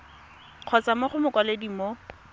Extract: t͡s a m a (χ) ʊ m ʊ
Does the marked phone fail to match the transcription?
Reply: no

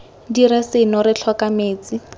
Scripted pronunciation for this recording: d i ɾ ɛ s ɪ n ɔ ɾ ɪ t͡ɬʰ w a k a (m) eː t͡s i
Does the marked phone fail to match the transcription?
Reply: no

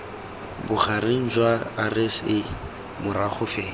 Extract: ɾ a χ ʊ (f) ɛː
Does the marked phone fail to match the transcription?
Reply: no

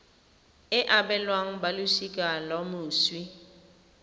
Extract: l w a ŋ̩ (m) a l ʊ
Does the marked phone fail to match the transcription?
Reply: yes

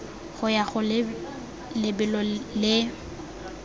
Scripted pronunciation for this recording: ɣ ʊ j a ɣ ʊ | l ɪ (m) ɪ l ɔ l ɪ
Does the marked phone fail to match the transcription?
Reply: yes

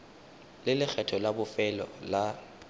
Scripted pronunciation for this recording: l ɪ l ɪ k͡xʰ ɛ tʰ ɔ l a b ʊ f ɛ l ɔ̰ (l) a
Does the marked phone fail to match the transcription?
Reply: no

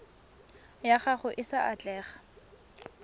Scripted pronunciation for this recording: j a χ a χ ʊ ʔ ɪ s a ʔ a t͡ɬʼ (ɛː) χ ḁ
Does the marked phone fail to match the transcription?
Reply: no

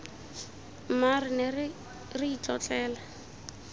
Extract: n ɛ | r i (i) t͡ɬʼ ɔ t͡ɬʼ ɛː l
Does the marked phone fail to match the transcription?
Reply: no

